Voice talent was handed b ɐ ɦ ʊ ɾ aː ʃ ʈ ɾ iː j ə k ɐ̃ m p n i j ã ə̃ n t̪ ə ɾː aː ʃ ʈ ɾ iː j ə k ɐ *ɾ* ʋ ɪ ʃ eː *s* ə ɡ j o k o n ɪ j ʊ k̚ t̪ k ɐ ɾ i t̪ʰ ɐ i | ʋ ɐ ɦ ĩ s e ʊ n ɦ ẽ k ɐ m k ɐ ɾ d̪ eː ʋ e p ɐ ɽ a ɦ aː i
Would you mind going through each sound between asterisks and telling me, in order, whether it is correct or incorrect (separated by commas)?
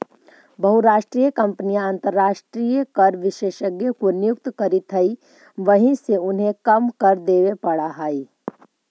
correct, incorrect